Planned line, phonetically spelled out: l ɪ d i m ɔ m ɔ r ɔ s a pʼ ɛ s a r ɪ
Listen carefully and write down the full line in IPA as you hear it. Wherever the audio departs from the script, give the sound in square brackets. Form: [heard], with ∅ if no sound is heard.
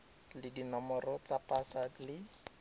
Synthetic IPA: l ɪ d i [n] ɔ m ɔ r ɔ [t͡s] a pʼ [a] s a [l] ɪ